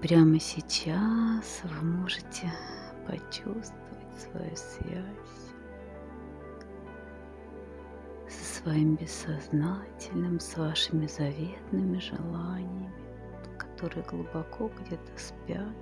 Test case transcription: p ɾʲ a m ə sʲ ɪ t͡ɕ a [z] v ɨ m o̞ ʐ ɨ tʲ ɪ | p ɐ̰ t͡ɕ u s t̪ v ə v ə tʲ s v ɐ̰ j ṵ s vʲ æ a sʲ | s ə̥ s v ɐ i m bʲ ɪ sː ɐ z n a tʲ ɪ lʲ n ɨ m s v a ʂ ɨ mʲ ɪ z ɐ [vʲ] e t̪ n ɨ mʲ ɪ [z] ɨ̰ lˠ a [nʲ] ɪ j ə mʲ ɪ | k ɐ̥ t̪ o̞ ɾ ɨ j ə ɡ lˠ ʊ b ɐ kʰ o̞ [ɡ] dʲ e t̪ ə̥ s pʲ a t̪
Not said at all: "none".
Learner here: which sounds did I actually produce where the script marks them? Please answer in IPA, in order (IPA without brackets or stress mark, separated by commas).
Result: s, vʲ, ʐ, nʲ, ɡ